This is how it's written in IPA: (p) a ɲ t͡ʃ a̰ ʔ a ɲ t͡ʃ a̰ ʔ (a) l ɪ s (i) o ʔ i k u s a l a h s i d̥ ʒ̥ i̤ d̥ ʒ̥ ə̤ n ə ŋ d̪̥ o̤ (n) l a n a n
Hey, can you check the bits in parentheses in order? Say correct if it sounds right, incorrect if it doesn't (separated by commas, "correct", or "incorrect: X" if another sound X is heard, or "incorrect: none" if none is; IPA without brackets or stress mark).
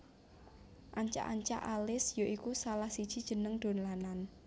incorrect: ʔ, correct, incorrect: j, correct